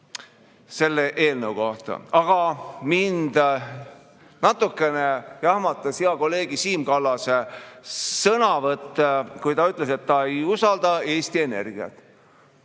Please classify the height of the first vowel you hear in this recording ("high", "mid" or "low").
mid